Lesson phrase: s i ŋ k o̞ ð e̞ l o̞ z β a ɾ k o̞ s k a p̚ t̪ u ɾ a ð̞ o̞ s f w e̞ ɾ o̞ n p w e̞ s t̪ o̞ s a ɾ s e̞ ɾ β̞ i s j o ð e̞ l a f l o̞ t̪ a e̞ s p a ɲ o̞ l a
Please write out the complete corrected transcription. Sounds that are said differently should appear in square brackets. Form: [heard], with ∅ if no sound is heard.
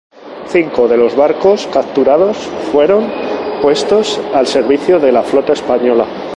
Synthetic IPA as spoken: [θ] i ŋ k o̞ ð e̞ l o̞ z β a ɾ k o̞ s k a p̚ t̪ u ɾ a ð̞ o̞ s f w e̞ ɾ o̞ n p w e̞ s t̪ o̞ s a [l] s e̞ ɾ β̞ i [θ] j o ð e̞ l a f l o̞ t̪ a e̞ s p a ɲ o̞ l a